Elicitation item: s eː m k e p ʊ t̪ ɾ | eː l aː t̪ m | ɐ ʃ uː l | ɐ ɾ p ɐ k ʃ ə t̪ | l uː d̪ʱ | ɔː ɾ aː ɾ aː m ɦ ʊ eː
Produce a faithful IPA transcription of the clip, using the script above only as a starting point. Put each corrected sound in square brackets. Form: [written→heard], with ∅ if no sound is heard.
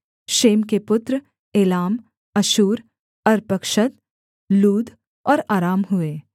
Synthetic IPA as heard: [s→ʃ] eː m k e p ʊ t̪ ɾ | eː l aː [t̪→∅] m | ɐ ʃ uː [l→ɾ] | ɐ ɾ p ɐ k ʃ ə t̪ | l uː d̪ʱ | ɔː ɾ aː ɾ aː m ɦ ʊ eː